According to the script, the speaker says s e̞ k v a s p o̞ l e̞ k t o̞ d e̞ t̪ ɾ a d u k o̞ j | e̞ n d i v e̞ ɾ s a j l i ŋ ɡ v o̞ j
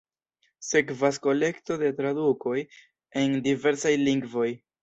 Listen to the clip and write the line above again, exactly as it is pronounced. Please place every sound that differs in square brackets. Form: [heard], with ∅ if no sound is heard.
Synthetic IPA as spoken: s e̞ k v a s [k] o̞ l e̞ k t o̞ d e̞ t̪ ɾ a d u k o̞ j | e̞ n d i v e̞ ɾ s a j l i ŋ ɡ v o̞ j